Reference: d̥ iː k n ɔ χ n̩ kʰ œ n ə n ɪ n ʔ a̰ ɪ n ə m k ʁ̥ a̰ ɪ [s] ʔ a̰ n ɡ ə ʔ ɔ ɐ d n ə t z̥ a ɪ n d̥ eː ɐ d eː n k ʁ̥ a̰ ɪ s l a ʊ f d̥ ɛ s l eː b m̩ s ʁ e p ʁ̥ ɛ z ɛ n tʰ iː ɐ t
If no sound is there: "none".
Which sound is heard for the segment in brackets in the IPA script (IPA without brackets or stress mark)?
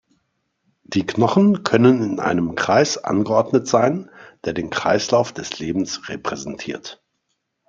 s